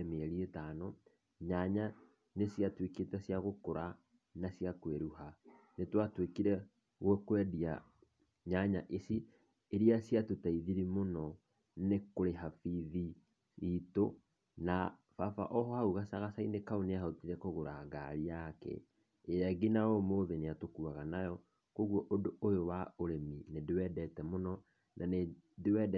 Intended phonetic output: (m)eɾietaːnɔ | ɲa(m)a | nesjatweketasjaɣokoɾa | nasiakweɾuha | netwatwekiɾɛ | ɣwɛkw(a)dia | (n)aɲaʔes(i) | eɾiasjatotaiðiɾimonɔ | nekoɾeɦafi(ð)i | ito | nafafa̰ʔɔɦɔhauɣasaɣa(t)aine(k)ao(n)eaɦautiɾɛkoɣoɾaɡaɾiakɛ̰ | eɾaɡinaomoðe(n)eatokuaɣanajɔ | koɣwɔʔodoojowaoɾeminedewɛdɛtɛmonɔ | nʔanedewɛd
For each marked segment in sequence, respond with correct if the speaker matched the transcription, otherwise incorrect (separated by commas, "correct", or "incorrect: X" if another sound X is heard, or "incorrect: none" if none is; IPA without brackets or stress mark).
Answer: correct, incorrect: ɲ, incorrect: ɛ, incorrect: ɲ, correct, correct, incorrect: s, correct, correct, correct